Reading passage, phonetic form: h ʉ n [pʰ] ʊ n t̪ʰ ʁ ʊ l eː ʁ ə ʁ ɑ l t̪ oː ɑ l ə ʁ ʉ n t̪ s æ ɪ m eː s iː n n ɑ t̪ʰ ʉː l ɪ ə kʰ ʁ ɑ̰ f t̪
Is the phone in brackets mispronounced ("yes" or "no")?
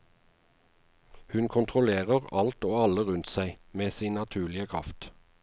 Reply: yes